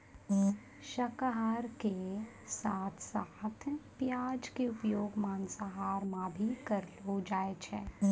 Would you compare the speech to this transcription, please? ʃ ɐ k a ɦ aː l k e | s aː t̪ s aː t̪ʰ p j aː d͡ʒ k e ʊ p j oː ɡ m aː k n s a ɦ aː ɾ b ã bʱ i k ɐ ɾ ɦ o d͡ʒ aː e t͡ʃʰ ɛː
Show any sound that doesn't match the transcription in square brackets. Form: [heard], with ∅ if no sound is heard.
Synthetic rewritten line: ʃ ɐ k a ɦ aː [ɾ] k e | s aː [t̪ʰ] s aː t̪ʰ p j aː d͡ʒ k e ʊ p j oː ɡ m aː [∅] n s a ɦ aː ɾ [m] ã bʱ i k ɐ ɾ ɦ o d͡ʒ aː e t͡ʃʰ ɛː

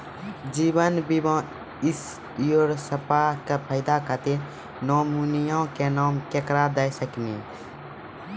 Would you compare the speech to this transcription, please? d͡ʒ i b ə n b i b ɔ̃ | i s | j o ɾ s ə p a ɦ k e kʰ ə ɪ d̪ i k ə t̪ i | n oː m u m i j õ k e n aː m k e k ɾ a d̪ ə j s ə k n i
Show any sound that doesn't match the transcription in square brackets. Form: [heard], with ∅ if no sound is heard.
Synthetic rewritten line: d͡ʒ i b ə n b i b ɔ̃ | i s | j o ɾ s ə p a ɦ k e [pʰ] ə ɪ d̪ [a] k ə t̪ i | n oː m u [n] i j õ k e n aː m k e k ɾ a d̪ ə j s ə k n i

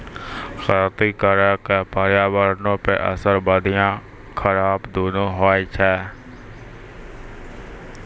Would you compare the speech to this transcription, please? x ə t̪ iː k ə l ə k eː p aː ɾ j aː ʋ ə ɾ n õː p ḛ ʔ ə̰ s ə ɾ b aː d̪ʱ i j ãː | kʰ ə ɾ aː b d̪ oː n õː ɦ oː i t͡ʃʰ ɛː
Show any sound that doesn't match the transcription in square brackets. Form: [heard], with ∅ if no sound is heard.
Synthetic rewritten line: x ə t̪ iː k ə [ɾ] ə k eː p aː ɾ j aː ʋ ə ɾ n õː p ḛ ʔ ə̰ s ə ɾ b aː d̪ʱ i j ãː | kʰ ə ɾ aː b d̪ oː n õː ɦ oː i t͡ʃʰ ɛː

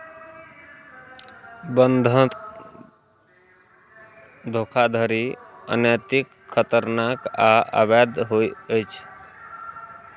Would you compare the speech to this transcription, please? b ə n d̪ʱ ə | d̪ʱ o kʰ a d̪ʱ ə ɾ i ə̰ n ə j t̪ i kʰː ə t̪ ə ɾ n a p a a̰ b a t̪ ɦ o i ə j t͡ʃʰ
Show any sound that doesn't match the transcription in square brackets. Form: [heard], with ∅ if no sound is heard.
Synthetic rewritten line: b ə n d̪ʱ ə | d̪ʱ o kʰ a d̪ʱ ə ɾ i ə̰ n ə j t̪ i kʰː ə t̪ ə ɾ n a [k] a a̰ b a [d̪] ɦ o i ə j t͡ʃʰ

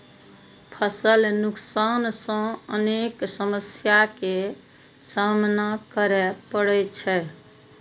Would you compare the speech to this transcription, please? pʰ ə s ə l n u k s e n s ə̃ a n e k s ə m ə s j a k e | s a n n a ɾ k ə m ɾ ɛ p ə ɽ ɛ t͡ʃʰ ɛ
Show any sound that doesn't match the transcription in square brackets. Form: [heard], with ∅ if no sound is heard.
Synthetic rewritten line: pʰ ə s ə l n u k s [a] n s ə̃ [ə] n e k s ə m ə s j a k e | s a [m] n a [∅] k ə [∅] ɾ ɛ p ə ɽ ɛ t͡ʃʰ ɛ

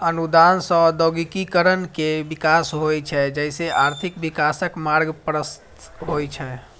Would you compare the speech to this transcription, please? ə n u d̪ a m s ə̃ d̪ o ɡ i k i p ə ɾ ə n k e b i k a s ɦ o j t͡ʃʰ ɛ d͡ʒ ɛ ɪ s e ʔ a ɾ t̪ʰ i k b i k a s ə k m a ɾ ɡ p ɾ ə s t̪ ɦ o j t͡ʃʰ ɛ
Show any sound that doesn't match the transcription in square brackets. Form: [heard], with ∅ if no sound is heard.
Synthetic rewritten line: ə n u d̪ a [n] s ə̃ d̪ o ɡ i k i [k] ə ɾ ə n k e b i k a s ɦ o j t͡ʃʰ ɛ d͡ʒ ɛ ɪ s e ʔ a ɾ t̪ʰ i k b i k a s ə k m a ɾ ɡ p ɾ ə s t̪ ɦ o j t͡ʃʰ ɛ

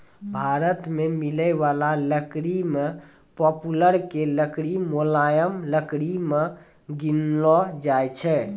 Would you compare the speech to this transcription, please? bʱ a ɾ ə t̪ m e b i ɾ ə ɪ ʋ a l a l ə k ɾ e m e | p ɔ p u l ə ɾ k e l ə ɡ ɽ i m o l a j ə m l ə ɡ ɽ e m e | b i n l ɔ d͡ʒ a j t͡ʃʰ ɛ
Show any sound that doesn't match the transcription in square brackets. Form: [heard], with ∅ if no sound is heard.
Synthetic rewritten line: bʱ a ɾ ə t̪ m e [m] i [l] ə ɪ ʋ a l a l ə k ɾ [i] m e | p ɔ p u l ə ɾ k e l ə [k] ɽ i m o l a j ə m l ə [k] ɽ [i] m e | [ɡ] i n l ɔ d͡ʒ a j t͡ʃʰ ɛ

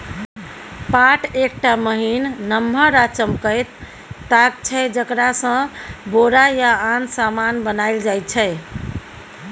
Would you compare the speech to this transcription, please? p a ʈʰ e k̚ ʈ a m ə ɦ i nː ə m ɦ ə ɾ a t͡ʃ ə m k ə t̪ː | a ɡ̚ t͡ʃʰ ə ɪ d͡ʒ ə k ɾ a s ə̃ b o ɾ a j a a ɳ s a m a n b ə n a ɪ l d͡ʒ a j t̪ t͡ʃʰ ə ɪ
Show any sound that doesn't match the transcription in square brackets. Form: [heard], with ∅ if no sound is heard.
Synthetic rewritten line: p a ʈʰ e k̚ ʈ a m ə ɦ i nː ə m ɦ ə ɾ a t͡ʃ ə m k ə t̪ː | a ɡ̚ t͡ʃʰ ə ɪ d͡ʒ ə k ɾ a s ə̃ b o ɾ a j a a [n] s a m a n b ə n a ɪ l d͡ʒ a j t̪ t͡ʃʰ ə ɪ

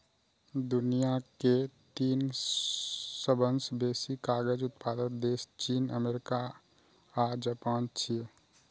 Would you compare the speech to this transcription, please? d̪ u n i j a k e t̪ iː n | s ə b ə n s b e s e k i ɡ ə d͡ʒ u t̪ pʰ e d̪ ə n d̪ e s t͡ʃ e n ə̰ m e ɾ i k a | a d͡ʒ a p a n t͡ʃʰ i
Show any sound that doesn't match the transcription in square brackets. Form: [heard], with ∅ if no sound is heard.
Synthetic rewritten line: d̪ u n i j a k e t̪ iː n | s ə b ə n s b e s [i] k [a] ɡ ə d͡ʒ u t̪ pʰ [a] d̪ ə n d̪ e s t͡ʃ [i] n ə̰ m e ɾ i k a | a d͡ʒ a p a n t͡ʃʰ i

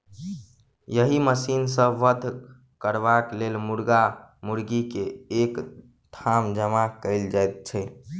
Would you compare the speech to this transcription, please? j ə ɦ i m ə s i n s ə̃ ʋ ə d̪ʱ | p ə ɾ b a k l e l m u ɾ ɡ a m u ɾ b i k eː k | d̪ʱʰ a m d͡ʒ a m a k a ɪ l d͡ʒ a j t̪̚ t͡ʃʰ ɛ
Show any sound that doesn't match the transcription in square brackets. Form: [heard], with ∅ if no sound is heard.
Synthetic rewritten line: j ə ɦ i m ə s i n s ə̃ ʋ ə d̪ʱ | [k] ə ɾ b a k l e l m u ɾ ɡ a m u ɾ [ɡ] i k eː k | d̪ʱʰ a m d͡ʒ [ə] m a k [ə] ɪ l d͡ʒ a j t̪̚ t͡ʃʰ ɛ

